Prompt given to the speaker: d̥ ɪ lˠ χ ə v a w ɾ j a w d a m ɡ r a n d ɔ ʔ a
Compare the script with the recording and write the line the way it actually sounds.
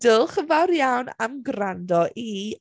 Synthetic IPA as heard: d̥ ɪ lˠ χ ə v a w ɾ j a w n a m ɡ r a n d ɔ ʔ i